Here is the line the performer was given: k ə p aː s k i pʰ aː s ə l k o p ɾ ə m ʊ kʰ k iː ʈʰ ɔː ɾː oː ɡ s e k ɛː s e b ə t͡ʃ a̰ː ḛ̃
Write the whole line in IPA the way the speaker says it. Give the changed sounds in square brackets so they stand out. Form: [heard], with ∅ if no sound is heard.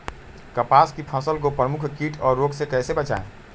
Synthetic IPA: k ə p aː s k i pʰ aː s ə l k o p ɾ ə m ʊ kʰ k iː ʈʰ ɔː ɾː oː ɡ s e k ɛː s e b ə t͡ʃ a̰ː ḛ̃